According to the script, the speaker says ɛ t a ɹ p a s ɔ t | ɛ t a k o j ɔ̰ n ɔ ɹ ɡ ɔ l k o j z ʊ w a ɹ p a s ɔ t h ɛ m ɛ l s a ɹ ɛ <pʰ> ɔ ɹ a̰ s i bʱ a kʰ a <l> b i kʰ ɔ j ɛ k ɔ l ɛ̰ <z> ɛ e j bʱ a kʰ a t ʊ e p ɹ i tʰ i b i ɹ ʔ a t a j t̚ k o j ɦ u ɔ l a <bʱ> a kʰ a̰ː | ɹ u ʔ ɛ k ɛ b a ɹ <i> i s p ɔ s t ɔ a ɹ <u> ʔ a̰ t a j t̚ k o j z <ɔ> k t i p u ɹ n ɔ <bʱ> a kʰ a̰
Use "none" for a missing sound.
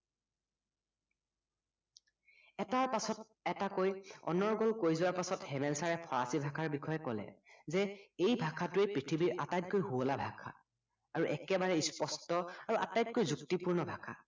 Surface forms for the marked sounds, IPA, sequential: pʰ, ɹ, z, bʱ, ɛ, u, u, bʱ

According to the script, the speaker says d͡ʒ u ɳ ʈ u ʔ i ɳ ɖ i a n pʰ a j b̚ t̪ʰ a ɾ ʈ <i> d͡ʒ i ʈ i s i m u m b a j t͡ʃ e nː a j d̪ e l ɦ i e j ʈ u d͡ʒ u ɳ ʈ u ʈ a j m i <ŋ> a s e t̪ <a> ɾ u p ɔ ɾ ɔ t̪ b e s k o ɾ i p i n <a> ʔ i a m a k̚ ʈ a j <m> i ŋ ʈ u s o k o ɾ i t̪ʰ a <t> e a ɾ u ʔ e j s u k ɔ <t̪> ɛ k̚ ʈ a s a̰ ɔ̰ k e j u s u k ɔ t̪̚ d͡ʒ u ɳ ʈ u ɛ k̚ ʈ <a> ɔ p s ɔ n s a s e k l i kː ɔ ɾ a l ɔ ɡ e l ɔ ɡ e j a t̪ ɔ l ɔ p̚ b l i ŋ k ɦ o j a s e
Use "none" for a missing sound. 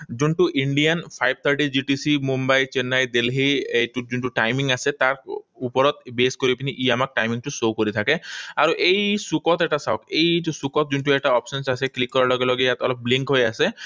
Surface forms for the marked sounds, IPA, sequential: i, ŋ, a, i, m, k, t̪, a

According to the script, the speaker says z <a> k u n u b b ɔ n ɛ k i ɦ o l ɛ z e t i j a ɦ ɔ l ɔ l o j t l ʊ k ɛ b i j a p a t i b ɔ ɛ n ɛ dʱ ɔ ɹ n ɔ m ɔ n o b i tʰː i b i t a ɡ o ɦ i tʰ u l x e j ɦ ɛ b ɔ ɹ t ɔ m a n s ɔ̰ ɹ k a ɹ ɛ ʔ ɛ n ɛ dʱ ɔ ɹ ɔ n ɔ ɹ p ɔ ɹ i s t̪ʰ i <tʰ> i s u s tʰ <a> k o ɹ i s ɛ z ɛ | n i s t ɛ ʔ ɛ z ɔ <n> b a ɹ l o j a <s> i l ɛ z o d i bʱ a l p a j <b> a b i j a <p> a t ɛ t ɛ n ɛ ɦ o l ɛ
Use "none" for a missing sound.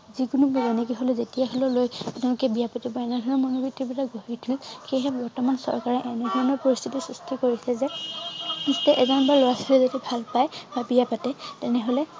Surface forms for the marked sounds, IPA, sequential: i, t, i, n, s, b, p

